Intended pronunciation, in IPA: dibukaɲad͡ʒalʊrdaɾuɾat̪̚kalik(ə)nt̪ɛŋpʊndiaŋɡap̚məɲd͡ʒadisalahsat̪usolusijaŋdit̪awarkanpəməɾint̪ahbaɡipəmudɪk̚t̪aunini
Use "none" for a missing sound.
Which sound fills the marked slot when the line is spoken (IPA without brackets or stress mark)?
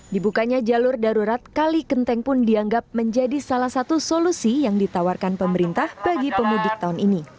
ə